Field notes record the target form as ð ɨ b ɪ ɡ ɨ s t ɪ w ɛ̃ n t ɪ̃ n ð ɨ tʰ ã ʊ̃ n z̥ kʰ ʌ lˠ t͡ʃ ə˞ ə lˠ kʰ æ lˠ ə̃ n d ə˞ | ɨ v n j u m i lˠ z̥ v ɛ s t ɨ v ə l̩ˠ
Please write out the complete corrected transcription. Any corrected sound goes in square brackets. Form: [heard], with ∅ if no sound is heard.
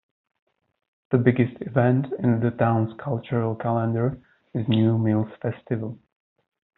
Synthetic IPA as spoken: ð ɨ b ɪ ɡ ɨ s t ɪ [v] ɛ̃ n t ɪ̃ n ð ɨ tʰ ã ʊ̃ n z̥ kʰ ʌ lˠ t͡ʃ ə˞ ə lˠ kʰ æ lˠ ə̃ n d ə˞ | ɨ [z] n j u m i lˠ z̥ [f] ɛ s t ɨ v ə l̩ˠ